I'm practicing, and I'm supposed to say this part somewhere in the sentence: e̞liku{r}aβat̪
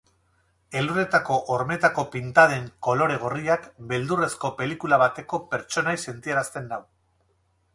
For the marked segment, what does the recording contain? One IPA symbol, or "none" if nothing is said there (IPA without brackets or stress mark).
l